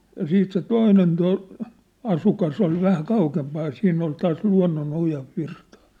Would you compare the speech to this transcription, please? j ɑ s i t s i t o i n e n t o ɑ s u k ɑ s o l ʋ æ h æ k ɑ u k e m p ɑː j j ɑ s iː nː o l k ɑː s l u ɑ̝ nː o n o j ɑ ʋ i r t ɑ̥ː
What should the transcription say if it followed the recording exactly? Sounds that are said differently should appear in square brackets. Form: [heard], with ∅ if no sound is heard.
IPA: j ɑ s [iː] t s [e] t o i n e n t o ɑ s u k ɑ s o l ʋ æ h æ k ɑ u k e m p ɑː j j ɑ s iː nː o l [t] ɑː s l u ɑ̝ nː o n o j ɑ ʋ i r t ɑ̥ː